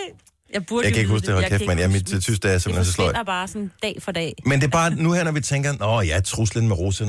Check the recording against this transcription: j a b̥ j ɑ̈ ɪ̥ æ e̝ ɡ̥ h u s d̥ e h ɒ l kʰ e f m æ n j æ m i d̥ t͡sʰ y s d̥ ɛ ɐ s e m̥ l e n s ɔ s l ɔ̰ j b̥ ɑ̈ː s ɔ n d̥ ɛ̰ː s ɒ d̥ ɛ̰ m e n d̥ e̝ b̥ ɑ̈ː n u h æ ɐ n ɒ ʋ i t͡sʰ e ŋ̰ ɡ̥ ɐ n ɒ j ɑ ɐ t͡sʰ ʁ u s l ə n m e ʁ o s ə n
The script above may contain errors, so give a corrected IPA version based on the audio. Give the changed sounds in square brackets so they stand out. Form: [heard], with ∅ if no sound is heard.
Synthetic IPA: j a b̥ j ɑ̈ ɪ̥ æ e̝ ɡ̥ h u s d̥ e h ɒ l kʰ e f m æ n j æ m i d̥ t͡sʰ y s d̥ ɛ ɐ s e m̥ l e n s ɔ s l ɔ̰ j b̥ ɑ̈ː s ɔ n d̥ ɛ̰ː [f] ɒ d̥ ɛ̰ m e n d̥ e̝ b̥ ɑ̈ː n u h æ ɐ n ɒ ʋ i t͡sʰ e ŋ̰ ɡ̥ ɐ n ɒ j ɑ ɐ t͡sʰ ʁ u s l ə n m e ʁ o s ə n